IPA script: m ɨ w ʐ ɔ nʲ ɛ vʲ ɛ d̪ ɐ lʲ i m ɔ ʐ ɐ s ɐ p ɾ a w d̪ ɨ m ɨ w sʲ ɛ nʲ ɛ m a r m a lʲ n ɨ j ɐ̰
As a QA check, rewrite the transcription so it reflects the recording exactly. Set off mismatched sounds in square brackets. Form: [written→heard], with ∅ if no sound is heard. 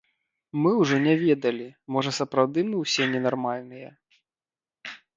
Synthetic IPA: m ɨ w ʐ ɔ nʲ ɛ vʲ ɛ d̪ ɐ lʲ i m ɔ ʐ ɐ s ɐ p ɾ a w d̪ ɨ m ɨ w sʲ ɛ nʲ ɛ [m→n] a r m a lʲ n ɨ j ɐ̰